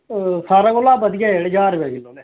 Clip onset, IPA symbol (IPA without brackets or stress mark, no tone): s